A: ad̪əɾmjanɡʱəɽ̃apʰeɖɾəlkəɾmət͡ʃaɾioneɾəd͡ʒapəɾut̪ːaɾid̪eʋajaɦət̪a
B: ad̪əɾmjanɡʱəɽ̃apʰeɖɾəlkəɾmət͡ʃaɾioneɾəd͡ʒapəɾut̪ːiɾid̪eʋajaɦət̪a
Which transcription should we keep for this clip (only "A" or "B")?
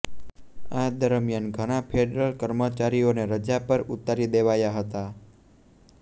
A